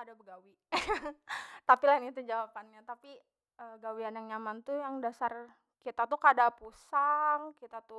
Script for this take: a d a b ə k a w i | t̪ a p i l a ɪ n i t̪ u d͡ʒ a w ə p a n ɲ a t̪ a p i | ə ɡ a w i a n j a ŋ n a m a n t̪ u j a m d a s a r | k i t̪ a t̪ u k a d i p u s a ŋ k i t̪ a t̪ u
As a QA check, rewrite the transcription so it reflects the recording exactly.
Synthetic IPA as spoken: a d a b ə ɡ a w i | t̪ a p i l a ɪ n i t̪ u d͡ʒ a w a p a n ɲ a t̪ a p i | ə ɡ a w i a n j a ŋ ɲ a m a n t̪ u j a ŋ d a s a r | k i t̪ a t̪ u k a d a p u s a ŋ k i t̪ a t̪ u